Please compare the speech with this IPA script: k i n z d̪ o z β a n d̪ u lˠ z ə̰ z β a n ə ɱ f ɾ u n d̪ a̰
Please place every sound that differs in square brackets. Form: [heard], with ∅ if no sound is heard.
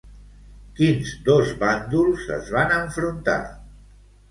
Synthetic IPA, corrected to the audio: k i n z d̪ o z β a n d̪ u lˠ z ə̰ z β a n ə ɱ f ɾ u n [t̪] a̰